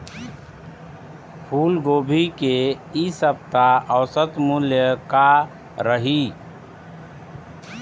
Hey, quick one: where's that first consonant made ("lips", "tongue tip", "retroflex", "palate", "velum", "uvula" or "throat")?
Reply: lips